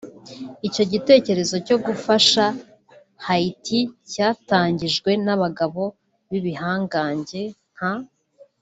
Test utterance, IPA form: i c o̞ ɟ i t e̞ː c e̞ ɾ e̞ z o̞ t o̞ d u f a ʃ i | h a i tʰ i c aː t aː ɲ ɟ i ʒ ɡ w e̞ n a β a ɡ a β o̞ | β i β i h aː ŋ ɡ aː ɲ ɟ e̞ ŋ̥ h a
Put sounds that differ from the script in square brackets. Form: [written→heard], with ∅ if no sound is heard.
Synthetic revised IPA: i c o̞ ɟ i t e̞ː c e̞ ɾ e̞ z o̞ [t→c] o̞ [d→ɡ] u f a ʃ [i→a] | h a i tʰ i c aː t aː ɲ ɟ i ʒ ɡ w e̞ n a β a ɡ a β o̞ | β i β i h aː ŋ ɡ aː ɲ ɟ e̞ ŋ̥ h a